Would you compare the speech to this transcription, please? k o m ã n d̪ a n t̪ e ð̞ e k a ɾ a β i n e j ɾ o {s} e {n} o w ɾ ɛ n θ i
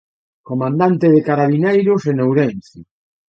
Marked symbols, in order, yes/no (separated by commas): yes, yes